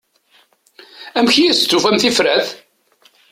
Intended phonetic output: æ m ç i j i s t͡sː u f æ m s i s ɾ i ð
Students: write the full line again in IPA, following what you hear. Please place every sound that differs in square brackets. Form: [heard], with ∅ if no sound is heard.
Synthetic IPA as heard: æ m ç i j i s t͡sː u f æ m [θ] i [f] ɾ [æ] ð